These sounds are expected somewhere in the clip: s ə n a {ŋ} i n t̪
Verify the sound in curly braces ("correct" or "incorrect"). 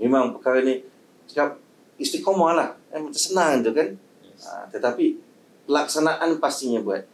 correct